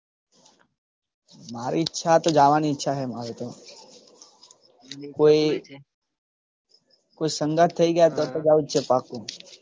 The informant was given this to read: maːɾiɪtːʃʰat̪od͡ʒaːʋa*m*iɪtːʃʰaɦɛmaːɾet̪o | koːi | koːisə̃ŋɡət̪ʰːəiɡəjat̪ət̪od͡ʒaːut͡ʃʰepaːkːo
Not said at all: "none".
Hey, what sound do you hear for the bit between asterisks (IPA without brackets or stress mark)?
n